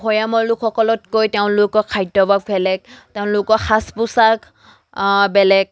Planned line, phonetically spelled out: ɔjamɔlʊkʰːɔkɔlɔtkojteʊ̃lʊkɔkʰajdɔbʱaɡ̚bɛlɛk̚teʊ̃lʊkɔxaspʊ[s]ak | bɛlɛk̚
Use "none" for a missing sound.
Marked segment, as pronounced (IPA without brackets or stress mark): s